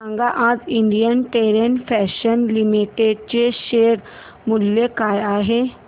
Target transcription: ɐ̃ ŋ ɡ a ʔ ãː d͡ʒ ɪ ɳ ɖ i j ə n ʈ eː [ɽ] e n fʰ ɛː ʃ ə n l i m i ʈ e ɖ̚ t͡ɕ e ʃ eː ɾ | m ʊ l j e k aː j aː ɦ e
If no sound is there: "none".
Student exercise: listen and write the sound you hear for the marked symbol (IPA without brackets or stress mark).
ɾ